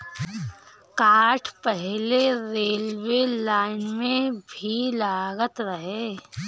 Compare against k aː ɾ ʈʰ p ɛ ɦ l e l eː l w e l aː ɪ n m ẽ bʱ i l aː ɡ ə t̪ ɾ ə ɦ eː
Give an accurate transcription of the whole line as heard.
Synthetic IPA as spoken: k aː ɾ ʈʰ p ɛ ɦ l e ɾ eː l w e l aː ɪ n m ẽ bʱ i l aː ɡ ə t̪ ɾ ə ɦ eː